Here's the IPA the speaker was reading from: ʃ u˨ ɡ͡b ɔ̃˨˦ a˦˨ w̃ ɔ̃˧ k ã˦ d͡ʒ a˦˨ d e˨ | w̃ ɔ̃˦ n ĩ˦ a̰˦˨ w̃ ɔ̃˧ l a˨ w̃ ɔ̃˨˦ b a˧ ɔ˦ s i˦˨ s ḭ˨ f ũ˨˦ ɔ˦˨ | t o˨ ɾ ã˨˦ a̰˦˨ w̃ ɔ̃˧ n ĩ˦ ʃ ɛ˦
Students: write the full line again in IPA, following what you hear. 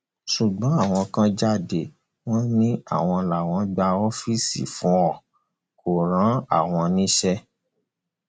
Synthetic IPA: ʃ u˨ ɡ͡b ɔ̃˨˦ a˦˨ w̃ ɔ̃˧ k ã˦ d͡ʒ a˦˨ d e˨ | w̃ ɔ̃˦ n ĩ˦ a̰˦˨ w̃ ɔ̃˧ l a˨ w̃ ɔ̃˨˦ ɡ͡b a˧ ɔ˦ f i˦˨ s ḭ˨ f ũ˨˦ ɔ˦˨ | k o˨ ɾ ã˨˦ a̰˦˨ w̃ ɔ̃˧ n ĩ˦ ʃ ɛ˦